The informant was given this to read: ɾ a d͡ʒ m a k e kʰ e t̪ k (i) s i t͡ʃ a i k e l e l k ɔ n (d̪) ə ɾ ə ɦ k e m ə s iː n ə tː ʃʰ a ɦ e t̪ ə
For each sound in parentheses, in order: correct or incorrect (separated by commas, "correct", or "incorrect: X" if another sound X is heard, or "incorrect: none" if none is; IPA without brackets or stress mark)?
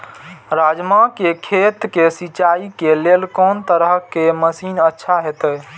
incorrect: e, incorrect: t̪